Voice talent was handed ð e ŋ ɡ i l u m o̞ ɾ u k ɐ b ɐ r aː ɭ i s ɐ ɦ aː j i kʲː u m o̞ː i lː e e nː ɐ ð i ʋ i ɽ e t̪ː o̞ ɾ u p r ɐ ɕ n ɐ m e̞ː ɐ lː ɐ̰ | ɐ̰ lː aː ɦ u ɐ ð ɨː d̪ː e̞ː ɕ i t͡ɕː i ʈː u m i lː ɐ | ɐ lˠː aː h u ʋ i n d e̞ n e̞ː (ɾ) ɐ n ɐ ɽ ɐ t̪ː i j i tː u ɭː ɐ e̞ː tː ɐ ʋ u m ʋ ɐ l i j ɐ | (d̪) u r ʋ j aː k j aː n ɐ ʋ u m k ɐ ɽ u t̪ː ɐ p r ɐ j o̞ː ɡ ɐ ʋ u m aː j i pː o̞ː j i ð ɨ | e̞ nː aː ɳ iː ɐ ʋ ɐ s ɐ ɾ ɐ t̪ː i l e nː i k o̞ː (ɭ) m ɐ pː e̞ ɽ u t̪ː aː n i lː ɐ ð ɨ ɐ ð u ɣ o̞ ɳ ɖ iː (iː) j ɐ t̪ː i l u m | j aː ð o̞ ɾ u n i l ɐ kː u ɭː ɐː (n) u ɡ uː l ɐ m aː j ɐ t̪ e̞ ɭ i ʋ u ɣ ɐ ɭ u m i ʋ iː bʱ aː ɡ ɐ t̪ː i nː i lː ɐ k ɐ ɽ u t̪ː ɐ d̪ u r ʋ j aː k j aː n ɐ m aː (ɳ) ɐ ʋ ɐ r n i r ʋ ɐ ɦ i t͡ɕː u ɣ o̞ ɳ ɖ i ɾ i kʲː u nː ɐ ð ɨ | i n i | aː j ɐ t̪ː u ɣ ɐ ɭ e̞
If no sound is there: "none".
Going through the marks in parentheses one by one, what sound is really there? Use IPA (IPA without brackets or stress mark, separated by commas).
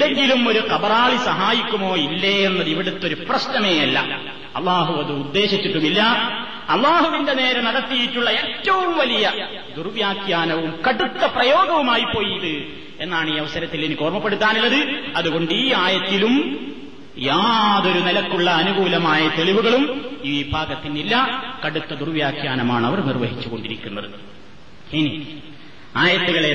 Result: ɾ, d̪, r, aː, n, ɳ